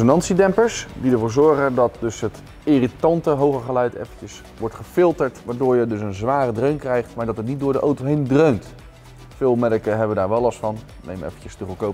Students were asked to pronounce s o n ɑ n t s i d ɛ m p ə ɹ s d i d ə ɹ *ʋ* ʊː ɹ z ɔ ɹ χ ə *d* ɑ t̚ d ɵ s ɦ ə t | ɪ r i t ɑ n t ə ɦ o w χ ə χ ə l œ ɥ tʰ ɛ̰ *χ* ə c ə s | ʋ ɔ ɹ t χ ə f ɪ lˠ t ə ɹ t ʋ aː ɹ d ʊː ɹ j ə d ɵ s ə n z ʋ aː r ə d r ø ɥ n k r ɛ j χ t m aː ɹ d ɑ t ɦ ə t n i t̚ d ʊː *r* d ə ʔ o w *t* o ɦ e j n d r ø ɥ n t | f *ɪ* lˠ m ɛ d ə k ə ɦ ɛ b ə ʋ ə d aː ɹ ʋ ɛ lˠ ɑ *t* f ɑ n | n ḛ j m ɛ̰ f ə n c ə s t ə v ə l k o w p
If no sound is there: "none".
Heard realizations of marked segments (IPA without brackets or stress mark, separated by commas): v, d, f, ɹ, t, ɪː, s